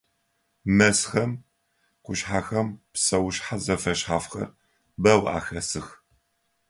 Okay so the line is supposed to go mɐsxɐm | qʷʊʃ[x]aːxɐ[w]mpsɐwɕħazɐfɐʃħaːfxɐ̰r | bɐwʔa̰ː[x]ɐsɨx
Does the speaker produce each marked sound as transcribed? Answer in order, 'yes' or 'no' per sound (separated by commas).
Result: no, no, yes